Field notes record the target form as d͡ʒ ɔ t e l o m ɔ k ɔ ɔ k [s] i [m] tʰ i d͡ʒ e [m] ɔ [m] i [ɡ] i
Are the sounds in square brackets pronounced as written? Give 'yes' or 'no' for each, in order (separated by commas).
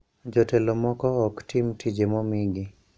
no, yes, yes, yes, yes